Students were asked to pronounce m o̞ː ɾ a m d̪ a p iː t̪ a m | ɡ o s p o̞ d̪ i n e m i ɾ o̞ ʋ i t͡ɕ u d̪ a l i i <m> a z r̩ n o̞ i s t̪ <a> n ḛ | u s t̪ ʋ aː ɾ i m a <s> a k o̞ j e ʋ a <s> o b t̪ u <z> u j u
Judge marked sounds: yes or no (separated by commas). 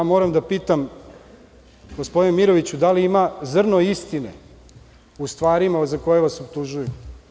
yes, no, no, yes, no